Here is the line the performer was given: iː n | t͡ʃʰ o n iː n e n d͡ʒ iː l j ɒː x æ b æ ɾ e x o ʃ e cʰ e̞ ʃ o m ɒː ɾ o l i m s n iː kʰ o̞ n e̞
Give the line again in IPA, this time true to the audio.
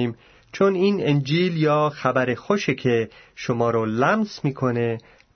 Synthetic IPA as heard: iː m | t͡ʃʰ o n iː n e n d͡ʒ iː l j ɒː x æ b æ ɾ e x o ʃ e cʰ e̞ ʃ o m ɒː ɾ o l æ m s m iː kʰ o̞ n e̞